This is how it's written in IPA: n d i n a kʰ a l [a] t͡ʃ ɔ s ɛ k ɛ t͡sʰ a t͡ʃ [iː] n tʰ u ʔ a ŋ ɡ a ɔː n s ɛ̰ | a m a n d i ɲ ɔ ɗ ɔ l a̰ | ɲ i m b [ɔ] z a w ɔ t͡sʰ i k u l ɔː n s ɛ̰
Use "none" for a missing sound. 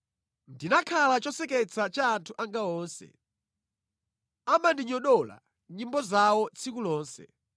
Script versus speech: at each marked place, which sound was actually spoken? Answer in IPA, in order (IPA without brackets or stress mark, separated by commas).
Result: a, aː, ɔ